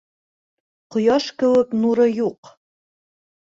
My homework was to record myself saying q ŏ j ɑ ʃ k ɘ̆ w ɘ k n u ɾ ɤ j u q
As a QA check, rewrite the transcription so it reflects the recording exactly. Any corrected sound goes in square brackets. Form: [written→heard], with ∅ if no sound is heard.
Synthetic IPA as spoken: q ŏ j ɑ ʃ k ɘ̆ w ɘ k n u ɾ ɤ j u q